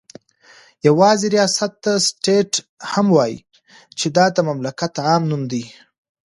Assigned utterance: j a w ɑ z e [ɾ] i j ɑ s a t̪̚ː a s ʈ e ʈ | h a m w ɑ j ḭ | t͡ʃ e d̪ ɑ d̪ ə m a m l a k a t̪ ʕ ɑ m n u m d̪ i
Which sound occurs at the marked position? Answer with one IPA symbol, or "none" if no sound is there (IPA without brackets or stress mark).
ɾ